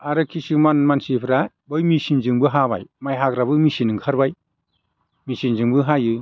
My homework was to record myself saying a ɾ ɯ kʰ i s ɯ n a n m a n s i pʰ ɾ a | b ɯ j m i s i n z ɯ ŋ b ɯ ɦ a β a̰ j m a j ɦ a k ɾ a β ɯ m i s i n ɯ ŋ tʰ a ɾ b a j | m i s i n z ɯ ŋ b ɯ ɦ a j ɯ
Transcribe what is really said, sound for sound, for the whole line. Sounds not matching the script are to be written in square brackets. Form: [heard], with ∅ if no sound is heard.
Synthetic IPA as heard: a ɾ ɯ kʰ i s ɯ [m] a n m a n s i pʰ ɾ a | b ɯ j m i s i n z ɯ ŋ b ɯ ɦ a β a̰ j m a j ɦ a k ɾ a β ɯ m i s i n ɯ ŋ [kʰ] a ɾ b a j | m i s i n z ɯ ŋ b ɯ ɦ a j ɯ